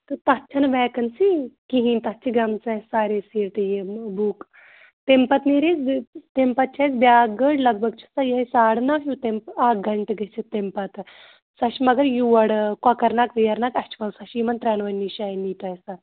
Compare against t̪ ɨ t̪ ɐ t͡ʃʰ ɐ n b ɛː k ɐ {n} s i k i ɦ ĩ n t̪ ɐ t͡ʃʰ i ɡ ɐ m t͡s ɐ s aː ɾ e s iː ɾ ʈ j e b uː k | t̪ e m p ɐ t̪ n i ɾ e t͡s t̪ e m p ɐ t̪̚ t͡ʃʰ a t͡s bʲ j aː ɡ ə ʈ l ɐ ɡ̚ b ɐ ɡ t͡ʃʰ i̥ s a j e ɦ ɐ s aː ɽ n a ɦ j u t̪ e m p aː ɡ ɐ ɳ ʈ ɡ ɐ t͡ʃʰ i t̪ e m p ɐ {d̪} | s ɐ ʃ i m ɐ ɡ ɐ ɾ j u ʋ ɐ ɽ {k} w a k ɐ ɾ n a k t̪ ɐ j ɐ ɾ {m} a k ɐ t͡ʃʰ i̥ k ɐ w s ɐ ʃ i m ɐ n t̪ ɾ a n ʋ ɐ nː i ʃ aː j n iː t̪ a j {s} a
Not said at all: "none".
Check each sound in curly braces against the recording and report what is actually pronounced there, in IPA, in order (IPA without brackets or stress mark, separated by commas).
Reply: n, t̪, k, n, s